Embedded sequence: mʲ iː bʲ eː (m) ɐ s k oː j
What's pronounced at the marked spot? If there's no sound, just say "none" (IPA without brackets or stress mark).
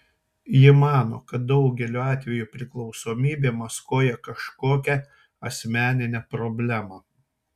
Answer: m